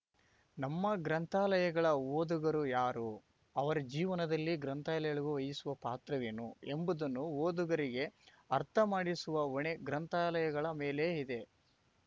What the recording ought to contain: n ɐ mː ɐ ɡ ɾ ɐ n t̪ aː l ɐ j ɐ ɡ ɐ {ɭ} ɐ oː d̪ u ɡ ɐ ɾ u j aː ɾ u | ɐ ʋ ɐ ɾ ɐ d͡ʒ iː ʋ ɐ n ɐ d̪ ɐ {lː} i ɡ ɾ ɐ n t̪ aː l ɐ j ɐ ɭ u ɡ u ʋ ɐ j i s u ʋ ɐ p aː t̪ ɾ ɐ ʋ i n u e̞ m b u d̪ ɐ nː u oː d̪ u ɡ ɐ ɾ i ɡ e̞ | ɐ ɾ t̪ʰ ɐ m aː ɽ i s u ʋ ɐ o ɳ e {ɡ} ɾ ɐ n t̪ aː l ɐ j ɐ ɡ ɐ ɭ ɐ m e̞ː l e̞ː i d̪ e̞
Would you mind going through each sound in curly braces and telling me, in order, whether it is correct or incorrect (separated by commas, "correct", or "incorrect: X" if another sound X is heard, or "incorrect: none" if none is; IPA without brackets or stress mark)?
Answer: correct, correct, correct